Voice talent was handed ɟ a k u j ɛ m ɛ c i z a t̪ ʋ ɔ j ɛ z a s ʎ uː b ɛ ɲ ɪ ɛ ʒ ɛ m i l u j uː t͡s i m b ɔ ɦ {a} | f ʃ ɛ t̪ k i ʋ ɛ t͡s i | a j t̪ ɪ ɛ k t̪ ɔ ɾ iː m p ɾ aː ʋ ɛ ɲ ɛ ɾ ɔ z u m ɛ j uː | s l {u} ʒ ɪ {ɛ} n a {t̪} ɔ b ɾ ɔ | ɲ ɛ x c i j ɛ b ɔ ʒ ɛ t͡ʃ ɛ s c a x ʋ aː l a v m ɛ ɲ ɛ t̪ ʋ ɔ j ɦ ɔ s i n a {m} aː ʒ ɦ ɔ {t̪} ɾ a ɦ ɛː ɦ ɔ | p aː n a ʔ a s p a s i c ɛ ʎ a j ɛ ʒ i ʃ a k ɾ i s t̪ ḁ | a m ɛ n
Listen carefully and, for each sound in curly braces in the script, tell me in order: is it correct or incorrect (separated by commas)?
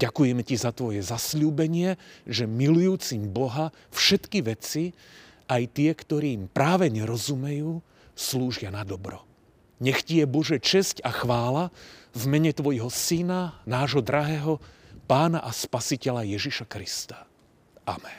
correct, incorrect, incorrect, incorrect, incorrect, incorrect